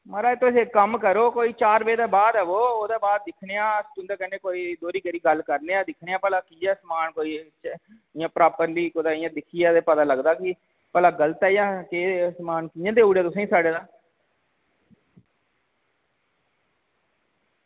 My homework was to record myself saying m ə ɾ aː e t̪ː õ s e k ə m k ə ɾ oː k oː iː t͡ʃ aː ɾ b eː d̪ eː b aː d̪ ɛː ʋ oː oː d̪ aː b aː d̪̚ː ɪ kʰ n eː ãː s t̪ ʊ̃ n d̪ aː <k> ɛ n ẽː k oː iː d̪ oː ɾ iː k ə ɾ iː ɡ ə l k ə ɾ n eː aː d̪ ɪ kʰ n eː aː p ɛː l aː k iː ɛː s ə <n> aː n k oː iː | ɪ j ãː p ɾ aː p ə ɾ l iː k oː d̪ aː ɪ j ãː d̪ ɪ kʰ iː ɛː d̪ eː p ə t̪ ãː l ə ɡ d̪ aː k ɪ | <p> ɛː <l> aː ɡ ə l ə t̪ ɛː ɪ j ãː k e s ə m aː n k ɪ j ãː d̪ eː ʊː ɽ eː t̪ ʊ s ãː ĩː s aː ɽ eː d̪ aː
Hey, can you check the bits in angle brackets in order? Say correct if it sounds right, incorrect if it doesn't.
correct, incorrect, correct, correct

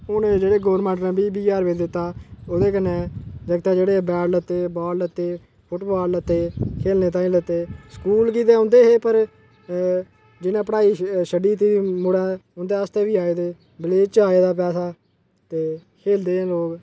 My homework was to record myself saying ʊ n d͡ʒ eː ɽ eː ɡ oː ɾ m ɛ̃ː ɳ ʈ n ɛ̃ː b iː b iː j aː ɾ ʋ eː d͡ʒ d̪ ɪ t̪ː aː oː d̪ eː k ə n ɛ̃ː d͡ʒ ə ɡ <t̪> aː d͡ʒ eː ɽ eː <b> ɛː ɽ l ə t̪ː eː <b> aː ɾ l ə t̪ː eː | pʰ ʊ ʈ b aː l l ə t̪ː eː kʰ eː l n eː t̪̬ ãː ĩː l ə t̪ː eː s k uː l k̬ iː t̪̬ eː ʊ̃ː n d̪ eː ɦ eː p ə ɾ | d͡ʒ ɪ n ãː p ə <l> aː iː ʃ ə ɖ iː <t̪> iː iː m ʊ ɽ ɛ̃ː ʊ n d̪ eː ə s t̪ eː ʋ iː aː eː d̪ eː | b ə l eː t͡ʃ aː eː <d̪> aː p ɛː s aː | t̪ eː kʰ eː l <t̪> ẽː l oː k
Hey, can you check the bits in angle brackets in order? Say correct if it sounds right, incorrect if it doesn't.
correct, correct, correct, incorrect, correct, correct, incorrect

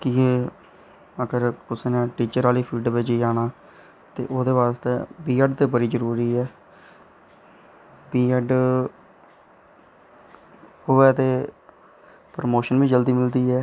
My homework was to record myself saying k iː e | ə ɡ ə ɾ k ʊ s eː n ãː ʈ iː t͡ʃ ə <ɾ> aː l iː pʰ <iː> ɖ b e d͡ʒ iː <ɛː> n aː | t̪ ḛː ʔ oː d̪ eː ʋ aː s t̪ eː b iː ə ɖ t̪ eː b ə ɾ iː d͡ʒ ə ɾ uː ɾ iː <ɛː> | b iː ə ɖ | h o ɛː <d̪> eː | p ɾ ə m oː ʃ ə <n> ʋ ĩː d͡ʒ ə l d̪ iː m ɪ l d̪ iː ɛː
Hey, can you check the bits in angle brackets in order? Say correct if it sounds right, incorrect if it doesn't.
correct, correct, incorrect, correct, incorrect, correct

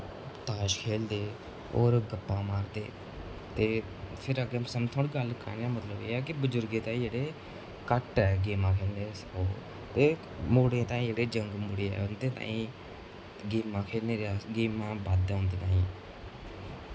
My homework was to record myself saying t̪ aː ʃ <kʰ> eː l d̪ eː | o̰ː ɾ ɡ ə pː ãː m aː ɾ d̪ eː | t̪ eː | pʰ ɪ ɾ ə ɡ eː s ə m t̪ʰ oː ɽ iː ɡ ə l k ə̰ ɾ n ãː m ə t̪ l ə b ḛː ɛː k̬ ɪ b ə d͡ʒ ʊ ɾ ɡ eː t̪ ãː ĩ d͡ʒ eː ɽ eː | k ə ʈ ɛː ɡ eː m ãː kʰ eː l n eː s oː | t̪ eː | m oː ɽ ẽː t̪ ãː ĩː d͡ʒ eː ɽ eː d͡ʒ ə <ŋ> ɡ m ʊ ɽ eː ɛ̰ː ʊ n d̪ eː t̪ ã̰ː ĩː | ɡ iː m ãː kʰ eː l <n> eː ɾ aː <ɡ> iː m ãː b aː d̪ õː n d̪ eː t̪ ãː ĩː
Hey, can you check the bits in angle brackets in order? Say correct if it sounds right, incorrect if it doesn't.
correct, correct, correct, correct

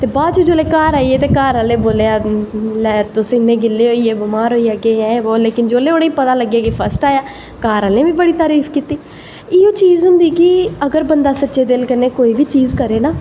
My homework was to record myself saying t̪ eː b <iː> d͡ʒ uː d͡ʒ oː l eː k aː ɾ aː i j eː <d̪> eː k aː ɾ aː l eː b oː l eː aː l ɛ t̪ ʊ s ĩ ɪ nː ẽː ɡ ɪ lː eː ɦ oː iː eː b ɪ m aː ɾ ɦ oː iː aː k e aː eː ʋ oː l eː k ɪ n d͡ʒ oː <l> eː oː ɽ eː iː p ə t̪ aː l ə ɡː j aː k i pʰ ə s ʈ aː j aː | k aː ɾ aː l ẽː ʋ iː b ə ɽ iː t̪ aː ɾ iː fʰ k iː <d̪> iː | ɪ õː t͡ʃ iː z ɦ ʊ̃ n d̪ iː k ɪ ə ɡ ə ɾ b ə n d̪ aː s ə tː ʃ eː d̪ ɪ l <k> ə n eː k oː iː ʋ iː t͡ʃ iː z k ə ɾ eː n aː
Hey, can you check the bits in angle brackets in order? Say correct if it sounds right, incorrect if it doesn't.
incorrect, incorrect, correct, incorrect, correct

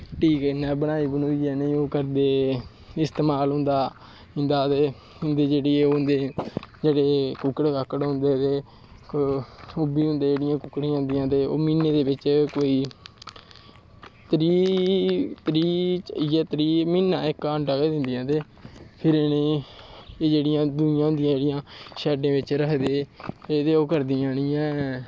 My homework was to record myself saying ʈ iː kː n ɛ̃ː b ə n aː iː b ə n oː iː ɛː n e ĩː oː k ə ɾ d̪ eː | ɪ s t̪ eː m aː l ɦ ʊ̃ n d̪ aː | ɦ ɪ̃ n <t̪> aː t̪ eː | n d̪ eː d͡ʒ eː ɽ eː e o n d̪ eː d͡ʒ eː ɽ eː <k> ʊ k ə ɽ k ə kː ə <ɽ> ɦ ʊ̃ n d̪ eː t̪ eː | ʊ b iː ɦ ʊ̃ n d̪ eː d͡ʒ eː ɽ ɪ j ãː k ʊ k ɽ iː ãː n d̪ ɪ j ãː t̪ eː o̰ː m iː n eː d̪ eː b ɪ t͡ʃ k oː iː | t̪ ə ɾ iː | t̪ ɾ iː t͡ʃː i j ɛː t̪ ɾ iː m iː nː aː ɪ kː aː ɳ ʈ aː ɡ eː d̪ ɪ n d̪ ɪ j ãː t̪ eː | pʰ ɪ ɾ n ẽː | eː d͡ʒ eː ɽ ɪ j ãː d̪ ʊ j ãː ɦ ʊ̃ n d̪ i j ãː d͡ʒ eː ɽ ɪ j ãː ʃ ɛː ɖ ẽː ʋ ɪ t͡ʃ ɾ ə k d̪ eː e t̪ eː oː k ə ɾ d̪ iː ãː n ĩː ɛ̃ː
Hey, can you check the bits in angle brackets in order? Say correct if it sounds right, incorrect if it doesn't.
incorrect, correct, correct

